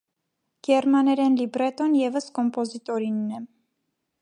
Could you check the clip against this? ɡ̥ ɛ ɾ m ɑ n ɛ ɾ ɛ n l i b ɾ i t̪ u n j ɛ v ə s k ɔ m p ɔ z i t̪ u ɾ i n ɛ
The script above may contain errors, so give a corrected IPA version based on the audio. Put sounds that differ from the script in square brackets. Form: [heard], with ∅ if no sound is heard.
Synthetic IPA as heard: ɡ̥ ɛ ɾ m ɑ n ɛ ɾ ɛ n l i b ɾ [ɛ] t̪ [ɔ] n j ɛ v ə s k ɔ m p ɔ z i t̪ [ɔ] ɾ i [nː] ɛ